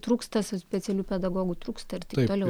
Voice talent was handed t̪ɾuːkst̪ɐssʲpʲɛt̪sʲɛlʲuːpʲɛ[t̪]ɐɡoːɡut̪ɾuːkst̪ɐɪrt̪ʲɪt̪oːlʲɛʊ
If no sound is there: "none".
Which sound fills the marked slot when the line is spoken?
d̪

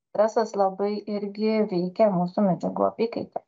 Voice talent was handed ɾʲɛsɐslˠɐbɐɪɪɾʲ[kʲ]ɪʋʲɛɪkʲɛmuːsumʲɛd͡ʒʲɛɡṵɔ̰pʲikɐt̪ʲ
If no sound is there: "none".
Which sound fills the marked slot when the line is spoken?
ɡʲ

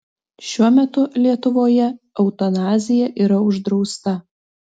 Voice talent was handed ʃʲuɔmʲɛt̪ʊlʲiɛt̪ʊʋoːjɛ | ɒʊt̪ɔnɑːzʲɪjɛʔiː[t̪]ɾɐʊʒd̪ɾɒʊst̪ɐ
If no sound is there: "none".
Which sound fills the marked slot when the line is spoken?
none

